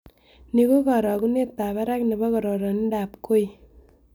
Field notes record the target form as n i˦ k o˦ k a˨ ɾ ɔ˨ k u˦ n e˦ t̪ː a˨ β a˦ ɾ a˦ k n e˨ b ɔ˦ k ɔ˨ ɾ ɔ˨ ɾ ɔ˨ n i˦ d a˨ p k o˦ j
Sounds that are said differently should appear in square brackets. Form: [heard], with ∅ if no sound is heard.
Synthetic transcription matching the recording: n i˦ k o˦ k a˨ ɾ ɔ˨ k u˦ n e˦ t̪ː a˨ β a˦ ɾ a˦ k n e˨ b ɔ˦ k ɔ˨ ɾ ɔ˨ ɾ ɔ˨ n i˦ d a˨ p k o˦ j